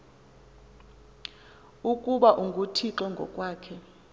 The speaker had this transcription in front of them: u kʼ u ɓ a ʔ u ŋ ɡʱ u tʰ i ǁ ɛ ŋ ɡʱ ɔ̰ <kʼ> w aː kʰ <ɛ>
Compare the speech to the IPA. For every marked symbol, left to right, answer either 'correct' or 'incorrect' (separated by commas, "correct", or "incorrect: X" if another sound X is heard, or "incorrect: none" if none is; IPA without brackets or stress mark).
correct, correct